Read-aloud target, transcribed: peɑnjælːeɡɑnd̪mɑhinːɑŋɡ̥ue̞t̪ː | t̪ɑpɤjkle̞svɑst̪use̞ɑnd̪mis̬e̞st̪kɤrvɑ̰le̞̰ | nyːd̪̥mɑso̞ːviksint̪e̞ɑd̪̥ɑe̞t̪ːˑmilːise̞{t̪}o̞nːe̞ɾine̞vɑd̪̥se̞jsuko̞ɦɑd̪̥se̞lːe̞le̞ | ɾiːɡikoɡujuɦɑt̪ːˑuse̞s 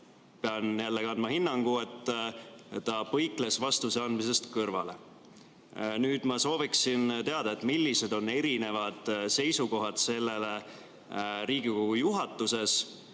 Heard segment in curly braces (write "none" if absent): d̪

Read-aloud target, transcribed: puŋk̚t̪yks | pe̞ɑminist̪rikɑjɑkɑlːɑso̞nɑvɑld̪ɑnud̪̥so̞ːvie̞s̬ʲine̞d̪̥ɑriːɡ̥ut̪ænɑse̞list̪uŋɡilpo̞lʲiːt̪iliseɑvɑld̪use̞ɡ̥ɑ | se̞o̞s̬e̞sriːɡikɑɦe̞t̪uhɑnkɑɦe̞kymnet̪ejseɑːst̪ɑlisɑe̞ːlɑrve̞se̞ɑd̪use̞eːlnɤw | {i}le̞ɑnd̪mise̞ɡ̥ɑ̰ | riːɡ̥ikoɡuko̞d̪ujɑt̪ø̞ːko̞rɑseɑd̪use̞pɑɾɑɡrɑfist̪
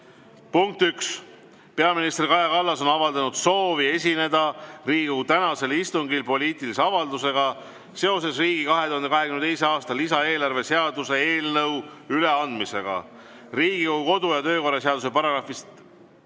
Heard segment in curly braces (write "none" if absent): y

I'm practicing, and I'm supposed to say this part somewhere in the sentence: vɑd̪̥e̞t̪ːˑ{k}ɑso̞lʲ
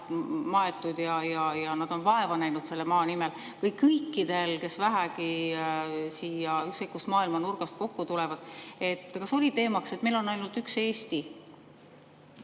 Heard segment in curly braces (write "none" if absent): k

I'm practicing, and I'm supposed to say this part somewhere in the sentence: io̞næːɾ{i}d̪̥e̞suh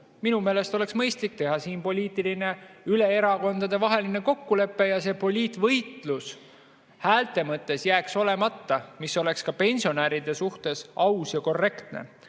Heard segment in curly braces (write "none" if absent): i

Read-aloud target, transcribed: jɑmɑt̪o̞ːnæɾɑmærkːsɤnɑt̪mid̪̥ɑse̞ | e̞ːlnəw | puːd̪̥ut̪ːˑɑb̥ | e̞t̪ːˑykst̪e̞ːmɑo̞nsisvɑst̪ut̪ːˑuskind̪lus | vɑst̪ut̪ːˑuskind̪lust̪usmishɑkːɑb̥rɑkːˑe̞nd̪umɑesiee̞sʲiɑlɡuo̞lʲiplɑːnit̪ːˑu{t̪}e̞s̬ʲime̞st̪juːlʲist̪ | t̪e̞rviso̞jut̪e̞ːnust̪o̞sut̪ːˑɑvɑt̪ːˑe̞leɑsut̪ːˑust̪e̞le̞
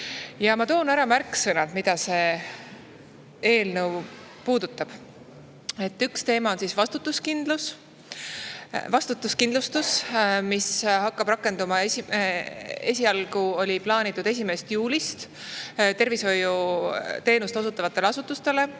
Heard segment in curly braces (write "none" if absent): d̪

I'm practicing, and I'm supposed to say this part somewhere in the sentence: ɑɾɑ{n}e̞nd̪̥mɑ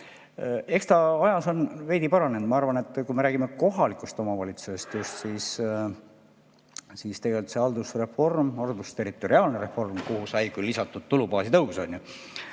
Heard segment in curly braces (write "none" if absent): n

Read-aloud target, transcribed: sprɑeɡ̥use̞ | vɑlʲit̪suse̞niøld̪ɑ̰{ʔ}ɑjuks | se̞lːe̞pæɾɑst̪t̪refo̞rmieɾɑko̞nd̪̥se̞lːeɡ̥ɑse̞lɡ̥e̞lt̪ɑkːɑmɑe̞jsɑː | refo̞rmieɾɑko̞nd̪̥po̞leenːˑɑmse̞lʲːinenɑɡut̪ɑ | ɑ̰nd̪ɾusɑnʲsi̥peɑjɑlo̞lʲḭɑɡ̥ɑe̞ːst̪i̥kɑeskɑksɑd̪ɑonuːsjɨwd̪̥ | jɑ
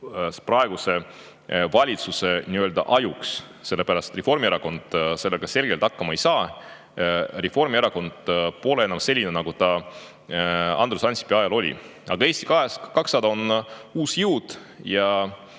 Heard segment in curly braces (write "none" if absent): ʔ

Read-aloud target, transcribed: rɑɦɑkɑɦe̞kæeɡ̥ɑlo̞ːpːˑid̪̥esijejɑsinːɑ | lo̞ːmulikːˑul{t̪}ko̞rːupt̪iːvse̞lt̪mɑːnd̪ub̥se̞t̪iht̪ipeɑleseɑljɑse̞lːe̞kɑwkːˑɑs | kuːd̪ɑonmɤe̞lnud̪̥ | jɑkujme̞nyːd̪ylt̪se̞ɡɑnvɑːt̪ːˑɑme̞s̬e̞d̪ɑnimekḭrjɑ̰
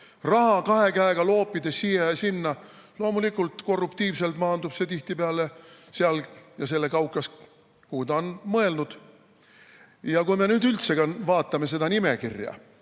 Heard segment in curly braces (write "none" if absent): t̪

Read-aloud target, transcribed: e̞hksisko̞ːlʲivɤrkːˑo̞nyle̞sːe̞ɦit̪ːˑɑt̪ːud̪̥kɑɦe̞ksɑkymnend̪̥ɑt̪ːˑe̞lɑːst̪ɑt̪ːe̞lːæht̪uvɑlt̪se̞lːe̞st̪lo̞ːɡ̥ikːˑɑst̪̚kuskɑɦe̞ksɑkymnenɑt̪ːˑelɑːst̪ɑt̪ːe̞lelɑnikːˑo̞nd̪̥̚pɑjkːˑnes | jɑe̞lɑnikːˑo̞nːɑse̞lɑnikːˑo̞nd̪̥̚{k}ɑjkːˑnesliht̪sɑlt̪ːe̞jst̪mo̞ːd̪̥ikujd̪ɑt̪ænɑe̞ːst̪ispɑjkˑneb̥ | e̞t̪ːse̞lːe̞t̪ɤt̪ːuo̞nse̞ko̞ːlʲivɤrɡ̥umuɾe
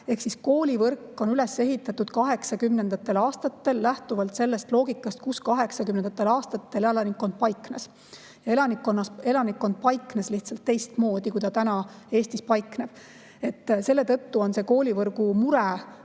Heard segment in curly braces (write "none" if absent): p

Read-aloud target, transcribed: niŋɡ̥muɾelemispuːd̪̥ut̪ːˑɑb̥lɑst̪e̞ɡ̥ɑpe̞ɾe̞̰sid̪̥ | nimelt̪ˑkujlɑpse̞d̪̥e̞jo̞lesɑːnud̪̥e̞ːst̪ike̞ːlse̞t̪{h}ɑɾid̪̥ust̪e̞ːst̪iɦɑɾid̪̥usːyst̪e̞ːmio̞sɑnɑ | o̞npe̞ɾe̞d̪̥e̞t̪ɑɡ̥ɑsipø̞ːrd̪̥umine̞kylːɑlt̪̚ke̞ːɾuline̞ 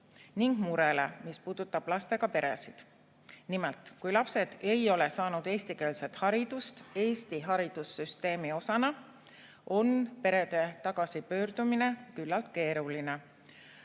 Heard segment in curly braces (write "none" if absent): h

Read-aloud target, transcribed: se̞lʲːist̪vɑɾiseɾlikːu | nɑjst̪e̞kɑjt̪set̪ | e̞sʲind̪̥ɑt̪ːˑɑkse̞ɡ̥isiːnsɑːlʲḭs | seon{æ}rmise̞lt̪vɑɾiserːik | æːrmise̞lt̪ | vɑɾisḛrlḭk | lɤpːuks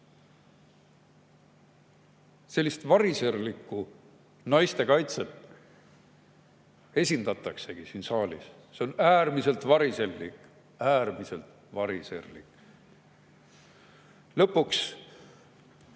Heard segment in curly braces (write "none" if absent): æː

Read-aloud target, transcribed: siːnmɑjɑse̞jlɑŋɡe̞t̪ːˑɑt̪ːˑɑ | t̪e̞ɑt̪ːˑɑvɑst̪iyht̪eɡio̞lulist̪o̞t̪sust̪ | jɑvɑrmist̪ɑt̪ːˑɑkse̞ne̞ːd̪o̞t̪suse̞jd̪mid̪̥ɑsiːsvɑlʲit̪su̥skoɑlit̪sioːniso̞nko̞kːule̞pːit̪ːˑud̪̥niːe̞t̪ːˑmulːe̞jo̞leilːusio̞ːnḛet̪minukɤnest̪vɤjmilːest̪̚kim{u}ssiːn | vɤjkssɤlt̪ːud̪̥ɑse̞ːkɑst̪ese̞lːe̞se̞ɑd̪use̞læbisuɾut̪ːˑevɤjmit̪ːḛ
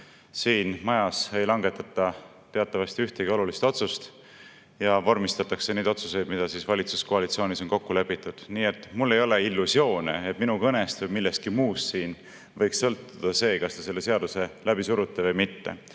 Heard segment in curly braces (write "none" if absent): uː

